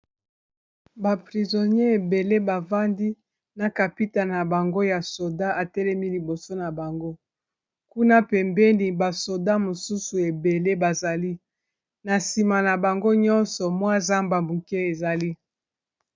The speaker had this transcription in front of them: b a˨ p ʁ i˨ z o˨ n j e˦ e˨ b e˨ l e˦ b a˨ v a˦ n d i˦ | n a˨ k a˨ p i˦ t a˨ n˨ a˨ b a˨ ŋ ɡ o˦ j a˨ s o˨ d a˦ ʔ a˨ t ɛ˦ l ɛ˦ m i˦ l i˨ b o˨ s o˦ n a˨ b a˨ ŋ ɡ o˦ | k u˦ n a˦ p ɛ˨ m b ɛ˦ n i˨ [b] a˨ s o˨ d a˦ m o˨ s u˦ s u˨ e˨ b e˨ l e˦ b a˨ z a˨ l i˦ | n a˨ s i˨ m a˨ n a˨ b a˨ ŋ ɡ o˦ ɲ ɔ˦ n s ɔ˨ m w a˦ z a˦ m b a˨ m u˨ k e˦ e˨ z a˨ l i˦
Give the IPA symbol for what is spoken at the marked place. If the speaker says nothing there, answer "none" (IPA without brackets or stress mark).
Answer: b